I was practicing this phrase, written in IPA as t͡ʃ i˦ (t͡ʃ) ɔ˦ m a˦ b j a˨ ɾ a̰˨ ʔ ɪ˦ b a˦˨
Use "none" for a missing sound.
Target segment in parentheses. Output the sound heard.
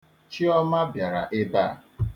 none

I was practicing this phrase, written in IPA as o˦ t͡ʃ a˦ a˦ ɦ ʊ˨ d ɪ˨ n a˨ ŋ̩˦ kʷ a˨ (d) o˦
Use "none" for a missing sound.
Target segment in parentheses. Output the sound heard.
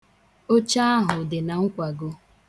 ɡ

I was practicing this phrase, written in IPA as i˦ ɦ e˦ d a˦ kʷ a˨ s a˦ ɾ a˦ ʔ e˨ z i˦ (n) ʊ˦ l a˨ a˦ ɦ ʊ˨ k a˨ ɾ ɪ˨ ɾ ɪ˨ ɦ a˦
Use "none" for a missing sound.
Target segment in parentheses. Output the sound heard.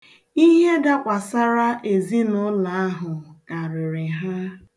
n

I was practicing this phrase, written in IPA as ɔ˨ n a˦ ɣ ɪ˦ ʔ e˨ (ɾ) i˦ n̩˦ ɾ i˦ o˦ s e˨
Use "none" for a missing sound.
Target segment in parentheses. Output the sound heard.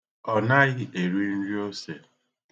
ɾ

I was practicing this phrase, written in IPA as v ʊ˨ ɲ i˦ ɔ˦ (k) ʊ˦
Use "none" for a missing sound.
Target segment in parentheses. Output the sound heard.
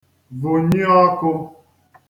k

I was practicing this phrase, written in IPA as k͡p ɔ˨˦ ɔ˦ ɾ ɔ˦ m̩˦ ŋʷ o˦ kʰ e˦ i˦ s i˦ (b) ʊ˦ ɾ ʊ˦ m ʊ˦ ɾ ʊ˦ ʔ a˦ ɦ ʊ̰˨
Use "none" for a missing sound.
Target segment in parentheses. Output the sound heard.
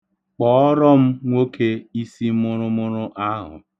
m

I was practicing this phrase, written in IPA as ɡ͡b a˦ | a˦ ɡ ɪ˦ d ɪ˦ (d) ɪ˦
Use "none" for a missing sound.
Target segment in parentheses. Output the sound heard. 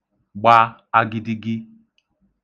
ɡ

